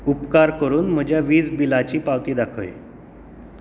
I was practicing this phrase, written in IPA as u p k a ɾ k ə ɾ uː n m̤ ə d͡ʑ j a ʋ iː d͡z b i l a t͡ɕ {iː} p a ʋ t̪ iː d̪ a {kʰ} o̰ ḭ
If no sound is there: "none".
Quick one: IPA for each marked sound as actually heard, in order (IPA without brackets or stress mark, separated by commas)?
iː, kʰ